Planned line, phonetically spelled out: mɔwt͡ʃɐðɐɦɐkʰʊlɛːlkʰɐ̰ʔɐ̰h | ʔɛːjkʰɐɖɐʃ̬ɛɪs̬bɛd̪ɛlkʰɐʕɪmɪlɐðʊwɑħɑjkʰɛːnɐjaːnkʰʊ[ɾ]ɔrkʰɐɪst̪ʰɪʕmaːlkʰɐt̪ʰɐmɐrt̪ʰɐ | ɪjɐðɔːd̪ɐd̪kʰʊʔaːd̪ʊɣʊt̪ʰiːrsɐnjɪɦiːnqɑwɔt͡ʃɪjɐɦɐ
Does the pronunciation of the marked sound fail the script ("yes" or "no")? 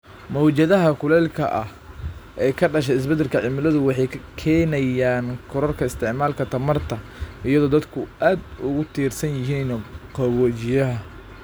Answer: no